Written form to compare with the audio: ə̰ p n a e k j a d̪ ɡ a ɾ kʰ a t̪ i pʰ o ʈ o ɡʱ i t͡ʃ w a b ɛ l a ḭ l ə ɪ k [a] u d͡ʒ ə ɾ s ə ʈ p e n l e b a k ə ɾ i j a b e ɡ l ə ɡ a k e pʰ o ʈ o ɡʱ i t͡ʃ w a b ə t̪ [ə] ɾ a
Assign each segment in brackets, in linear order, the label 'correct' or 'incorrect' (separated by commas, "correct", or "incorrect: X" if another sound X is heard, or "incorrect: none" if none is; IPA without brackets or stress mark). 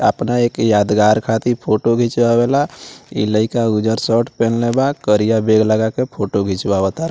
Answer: correct, incorrect: a